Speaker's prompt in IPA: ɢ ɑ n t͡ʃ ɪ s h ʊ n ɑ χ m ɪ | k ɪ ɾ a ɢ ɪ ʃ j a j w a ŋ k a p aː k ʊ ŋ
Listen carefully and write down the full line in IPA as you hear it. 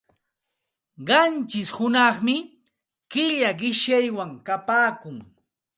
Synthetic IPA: ɢ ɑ n t͡ʃ ɪ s h ʊ n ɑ χ m ɪ | k ɪ ʎ a ɢ ɪ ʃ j a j w a ŋ k a p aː k ʊ ŋ